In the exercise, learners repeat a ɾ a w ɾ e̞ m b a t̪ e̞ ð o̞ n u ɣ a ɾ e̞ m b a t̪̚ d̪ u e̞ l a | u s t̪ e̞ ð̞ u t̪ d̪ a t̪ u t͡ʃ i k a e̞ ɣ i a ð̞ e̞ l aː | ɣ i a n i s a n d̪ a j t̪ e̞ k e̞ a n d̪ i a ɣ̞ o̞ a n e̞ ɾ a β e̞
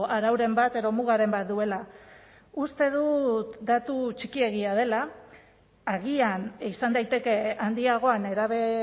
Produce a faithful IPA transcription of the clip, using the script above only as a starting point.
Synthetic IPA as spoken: a ɾ a w ɾ e̞ m b a t̪ e̞ ð o̞ m u ɣ a ɾ e̞ m b a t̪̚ d̪ u e̞ l a | u s t̪ e̞ ð̞ u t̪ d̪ a t̪ u t͡ʃ i k i e̞ ɣ i a ð̞ e̞ l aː | ɣ i a n i s a n d̪ a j t̪ e̞ k e̞ a n d̪ i a ɣ̞ o̞ a n e̞ ɾ a β e̞